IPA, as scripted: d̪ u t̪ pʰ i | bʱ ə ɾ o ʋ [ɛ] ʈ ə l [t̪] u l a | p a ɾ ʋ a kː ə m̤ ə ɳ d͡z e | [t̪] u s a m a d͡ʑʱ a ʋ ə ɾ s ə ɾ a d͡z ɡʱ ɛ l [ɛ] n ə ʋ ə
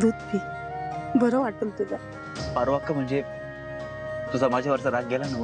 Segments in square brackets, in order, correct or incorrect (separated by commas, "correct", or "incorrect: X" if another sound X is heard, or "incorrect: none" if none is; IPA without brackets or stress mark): incorrect: a, correct, correct, incorrect: a